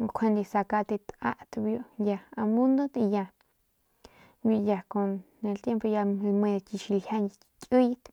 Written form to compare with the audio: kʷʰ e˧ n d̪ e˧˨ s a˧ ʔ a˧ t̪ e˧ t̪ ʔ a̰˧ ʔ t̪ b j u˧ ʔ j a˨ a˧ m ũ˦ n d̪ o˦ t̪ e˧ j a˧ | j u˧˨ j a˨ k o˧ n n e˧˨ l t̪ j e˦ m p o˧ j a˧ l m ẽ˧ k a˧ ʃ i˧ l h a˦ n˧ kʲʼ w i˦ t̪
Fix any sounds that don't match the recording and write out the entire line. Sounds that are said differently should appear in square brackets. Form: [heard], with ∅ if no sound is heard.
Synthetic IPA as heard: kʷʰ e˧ n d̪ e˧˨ s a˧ [k] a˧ t̪ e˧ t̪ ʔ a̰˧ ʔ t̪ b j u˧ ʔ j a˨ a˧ m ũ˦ n d̪ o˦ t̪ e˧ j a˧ | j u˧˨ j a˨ k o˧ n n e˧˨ l t̪ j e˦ m p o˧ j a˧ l m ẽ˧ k [i˧] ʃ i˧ l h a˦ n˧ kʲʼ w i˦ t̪

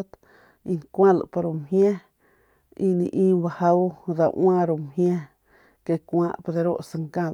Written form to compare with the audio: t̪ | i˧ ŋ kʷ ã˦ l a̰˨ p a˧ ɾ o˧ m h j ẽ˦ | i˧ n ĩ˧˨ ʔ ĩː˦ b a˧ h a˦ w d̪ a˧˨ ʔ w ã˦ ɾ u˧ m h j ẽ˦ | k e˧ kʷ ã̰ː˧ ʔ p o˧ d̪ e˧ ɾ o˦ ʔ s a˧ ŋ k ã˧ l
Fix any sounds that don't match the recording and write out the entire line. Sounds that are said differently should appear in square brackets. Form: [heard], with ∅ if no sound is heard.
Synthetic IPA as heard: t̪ | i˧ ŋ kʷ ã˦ l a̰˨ p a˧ ɾ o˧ m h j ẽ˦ | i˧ n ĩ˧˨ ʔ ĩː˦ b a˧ h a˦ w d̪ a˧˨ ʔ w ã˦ ɾ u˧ m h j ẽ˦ | k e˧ kʷ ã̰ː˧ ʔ p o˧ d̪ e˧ ɾ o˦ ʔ s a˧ ŋ k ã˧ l

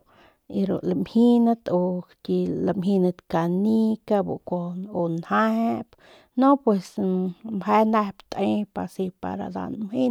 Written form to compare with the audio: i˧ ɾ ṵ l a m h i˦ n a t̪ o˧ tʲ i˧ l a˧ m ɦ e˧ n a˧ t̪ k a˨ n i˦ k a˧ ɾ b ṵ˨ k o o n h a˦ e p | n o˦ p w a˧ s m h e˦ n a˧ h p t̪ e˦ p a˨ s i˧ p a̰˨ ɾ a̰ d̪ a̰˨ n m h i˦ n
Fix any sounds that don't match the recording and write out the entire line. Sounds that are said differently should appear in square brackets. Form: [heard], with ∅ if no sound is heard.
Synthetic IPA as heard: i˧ ɾ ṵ l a m h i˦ n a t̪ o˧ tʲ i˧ l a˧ m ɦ [i˧] n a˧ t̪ k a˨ n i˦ k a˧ [∅] b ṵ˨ k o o n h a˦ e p | n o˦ p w [e˧] s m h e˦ n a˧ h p t̪ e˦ p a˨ s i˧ p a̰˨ ɾ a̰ d̪ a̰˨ n m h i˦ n

